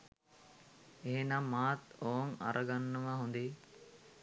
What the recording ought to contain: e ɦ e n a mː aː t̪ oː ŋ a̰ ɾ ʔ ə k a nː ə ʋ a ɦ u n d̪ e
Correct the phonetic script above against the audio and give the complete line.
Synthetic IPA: e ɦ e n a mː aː t̪ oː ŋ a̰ ɾ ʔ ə ɡ a nː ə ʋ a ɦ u n d̪ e